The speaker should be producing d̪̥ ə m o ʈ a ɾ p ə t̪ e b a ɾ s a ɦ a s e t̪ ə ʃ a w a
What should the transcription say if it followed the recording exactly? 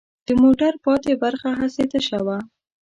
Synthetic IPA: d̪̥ ə m o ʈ a ɾ p ɑ t̪ e b a ɾ x a ɦ a s e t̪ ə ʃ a w a